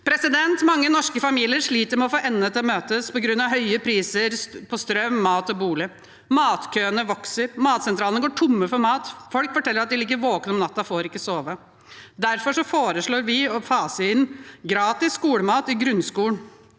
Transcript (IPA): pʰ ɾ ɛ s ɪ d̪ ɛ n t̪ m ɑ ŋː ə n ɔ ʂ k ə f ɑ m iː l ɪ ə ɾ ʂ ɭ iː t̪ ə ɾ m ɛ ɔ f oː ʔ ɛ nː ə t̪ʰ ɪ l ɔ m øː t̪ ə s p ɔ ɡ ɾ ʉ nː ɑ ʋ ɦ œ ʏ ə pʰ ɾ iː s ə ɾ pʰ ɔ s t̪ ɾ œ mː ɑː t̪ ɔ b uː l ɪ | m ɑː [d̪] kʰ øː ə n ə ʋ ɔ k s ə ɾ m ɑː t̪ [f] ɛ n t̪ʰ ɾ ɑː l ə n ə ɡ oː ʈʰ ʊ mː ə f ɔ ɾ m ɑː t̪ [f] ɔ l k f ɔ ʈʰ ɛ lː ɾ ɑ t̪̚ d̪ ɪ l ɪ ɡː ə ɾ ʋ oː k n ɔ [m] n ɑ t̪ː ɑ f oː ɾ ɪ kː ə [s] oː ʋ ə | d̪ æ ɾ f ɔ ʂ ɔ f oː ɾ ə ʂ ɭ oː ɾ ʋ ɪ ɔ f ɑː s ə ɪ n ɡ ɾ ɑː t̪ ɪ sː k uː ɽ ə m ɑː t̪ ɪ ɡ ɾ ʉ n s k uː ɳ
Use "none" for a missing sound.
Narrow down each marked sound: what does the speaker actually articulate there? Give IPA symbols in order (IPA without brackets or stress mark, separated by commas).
t̪, s, f, m, s